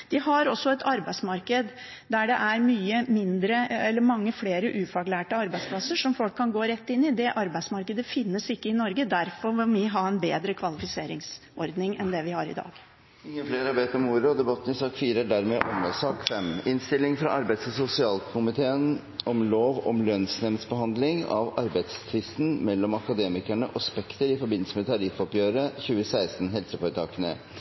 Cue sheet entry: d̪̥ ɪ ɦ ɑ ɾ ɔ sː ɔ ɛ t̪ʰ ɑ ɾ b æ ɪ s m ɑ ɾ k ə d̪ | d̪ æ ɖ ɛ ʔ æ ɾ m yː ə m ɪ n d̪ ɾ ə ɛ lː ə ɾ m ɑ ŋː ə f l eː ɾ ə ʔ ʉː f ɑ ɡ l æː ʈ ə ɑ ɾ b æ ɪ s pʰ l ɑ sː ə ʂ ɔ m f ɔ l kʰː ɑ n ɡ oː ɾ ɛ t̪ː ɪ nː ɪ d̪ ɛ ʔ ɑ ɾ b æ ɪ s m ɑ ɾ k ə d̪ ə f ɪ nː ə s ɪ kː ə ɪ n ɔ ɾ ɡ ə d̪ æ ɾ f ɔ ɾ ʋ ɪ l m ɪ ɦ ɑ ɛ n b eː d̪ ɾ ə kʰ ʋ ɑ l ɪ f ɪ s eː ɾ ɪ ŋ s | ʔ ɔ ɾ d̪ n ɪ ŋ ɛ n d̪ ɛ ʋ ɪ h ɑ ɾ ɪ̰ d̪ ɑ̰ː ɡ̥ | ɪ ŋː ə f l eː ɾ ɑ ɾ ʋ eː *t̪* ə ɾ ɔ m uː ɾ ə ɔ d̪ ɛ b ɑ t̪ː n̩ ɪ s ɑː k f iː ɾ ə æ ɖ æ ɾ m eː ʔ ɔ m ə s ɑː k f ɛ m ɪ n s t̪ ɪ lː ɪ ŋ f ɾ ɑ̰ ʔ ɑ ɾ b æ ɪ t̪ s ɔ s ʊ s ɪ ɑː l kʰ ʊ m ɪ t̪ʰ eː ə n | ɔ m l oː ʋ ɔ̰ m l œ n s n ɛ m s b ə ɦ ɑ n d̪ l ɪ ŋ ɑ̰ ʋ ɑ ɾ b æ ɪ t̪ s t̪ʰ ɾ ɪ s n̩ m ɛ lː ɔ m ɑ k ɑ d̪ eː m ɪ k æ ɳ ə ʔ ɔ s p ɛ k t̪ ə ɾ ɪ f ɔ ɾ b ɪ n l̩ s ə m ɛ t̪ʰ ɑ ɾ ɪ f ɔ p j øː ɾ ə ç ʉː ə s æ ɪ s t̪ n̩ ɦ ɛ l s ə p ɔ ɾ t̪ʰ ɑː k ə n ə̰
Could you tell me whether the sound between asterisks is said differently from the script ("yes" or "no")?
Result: no